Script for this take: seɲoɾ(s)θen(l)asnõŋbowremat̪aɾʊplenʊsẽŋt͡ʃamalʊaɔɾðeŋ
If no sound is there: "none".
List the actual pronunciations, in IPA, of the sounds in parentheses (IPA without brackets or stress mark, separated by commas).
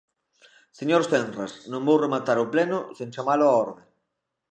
s, r